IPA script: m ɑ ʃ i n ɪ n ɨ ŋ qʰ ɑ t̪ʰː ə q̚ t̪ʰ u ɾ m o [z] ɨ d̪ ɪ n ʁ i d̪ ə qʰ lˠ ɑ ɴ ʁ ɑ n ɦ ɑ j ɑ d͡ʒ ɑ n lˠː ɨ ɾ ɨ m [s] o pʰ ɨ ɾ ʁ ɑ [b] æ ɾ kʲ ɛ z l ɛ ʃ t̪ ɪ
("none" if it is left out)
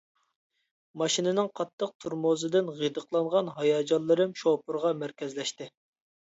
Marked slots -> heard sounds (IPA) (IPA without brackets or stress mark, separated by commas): z, ʃ, m